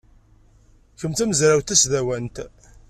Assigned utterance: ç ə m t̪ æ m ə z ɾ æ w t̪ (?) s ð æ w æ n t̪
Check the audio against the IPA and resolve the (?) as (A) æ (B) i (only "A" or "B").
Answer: A